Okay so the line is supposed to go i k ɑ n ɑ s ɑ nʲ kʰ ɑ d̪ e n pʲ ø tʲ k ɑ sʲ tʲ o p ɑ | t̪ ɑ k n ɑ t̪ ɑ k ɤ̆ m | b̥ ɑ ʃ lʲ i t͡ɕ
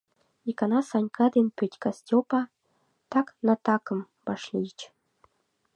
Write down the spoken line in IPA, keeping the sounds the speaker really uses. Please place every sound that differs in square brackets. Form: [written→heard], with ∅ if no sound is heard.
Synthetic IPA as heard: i k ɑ n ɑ s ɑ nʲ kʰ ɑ d̪ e n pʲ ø tʲ k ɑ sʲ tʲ o p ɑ | t̪ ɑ k n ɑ t̪ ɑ k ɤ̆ m | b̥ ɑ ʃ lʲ i t͡ɕ